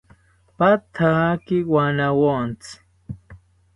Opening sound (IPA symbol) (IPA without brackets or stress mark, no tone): p